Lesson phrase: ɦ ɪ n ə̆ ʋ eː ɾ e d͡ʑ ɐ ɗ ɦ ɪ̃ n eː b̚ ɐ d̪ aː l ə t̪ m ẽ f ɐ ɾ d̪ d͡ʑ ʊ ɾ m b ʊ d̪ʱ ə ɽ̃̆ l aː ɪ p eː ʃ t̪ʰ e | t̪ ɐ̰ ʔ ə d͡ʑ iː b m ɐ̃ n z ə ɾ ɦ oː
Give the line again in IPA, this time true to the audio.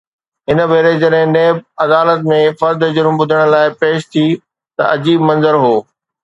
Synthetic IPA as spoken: ɦ ɪ n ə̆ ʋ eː ɾ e d͡ʑ ɐ ɗ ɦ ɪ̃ n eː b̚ ɐ d̪ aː l ə t̪ m ẽ f ɐ ɾ d̪ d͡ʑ ʊ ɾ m b ʊ d̪ʱ ə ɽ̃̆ l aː ɪ p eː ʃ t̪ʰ i | t̪ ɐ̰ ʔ ɐ d͡ʑ iː b m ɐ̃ n z ə ɾ ɦ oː